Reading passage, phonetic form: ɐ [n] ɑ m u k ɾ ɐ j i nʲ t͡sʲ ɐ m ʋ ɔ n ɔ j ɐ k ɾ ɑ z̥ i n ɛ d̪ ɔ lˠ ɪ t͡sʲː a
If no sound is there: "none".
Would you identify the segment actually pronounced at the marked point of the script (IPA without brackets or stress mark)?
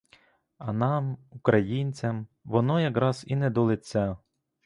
n